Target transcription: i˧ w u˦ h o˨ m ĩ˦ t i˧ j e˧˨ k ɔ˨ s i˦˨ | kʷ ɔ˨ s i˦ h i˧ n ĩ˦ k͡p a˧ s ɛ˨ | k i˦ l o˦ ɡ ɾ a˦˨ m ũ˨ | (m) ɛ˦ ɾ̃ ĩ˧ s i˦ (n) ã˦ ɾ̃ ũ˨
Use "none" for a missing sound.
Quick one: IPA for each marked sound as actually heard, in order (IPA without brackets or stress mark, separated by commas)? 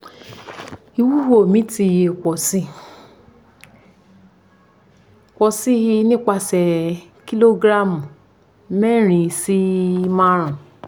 m, m